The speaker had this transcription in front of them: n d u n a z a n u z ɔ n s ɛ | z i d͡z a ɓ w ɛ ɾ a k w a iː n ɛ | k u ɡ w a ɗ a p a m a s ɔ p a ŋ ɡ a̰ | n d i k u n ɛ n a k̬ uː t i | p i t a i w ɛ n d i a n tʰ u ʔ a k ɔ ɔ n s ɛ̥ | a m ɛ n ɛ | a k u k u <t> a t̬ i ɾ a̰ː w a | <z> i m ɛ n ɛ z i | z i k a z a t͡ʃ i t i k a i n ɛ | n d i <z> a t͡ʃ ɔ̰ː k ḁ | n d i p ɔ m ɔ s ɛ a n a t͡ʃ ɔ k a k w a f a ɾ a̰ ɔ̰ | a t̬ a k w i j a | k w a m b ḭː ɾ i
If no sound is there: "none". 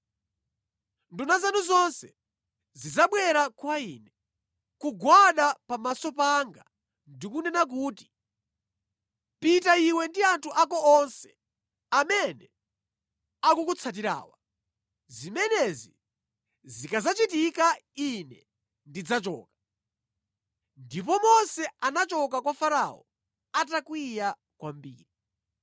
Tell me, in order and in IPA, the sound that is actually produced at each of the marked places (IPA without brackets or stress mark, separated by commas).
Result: t͡sʰ, z, d͡z